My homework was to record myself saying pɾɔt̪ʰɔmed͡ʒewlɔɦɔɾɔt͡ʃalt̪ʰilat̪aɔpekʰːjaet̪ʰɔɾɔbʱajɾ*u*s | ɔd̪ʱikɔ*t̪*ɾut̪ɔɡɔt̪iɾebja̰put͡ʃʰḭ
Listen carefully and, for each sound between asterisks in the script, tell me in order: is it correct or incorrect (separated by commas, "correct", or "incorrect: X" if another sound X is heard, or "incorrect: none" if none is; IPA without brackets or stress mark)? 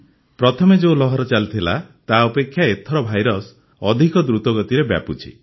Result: incorrect: ɔ, incorrect: d̪